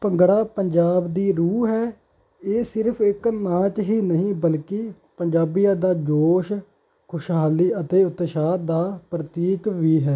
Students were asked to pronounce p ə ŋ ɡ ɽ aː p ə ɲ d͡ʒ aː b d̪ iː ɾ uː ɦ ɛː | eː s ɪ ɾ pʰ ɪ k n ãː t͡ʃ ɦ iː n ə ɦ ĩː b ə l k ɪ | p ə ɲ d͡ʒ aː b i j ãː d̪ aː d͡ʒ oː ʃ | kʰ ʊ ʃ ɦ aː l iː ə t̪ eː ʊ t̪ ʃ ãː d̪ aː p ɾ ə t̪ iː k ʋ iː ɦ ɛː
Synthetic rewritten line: p ə ŋ ɡ ɽ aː p ə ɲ d͡ʒ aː b d̪ iː ɾ uː ɦ ɛː | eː s ɪ ɾ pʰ ɪ k n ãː t͡ʃ ɦ iː n ə ɦ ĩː b ə l k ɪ | p ə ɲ d͡ʒ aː b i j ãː d̪ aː d͡ʒ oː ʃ | kʰ ʊ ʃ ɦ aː l iː ə t̪ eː ʊ t̪ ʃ aː d̪ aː p ɾ ə t̪ iː k ʋ iː ɦ ɛː